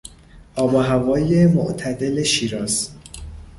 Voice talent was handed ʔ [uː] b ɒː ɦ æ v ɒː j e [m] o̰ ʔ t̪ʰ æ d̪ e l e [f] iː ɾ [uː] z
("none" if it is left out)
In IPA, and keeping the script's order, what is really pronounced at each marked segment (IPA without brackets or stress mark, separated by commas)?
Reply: ɒː, m, ʃ, ɒː